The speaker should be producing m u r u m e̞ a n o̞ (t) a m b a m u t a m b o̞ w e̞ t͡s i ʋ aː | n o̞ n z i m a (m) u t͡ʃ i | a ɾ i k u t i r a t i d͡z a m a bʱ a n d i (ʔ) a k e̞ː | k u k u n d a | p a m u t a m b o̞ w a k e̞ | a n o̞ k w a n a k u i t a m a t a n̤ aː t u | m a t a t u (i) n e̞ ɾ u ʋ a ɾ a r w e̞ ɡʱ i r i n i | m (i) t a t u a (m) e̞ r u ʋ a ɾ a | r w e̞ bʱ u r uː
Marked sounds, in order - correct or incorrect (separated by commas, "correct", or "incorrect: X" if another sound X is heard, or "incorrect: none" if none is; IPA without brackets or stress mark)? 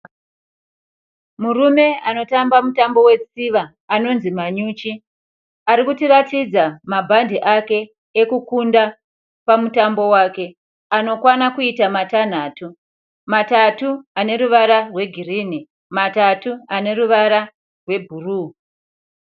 correct, incorrect: ɲ, correct, incorrect: a, incorrect: a, incorrect: n